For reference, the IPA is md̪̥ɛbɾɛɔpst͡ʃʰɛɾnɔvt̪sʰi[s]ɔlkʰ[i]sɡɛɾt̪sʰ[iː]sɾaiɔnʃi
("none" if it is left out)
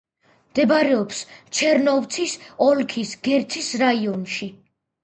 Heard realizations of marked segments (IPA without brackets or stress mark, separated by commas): s, i, i